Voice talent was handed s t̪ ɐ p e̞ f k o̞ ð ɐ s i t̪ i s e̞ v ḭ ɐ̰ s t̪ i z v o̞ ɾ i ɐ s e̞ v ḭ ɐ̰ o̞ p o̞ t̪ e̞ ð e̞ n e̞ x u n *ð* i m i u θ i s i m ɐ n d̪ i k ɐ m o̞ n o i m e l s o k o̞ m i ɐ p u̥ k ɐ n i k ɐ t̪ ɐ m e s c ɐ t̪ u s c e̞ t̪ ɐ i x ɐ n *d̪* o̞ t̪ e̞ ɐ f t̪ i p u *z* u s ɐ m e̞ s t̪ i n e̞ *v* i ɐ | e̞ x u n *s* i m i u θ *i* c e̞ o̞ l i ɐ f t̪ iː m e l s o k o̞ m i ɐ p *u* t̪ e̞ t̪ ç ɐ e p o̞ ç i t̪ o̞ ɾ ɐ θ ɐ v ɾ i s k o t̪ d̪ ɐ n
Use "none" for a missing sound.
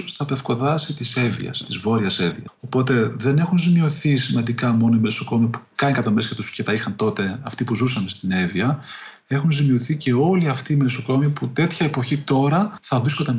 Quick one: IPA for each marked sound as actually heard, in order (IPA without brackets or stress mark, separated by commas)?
z, t̪, z, v, z, i, u